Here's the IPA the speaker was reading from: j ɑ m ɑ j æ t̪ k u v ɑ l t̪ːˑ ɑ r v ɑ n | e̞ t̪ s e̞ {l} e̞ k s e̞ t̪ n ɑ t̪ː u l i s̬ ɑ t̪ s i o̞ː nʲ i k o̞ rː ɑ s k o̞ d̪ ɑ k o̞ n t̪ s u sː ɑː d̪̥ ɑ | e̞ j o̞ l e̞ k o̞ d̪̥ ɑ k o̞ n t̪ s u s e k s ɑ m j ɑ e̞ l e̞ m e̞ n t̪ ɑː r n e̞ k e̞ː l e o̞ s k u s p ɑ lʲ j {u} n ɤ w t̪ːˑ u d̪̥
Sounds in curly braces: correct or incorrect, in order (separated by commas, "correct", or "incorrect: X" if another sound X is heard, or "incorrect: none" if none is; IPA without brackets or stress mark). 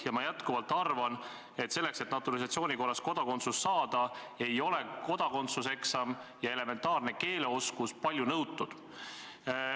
incorrect: lː, correct